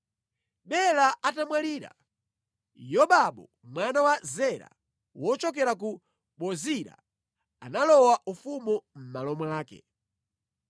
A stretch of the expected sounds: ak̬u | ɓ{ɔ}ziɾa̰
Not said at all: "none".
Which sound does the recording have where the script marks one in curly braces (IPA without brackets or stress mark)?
ɔ